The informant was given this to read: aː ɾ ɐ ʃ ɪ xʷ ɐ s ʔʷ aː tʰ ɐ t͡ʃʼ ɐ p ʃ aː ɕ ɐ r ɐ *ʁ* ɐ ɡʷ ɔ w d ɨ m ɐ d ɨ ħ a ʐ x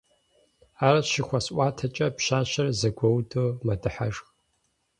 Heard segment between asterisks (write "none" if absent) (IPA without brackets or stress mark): z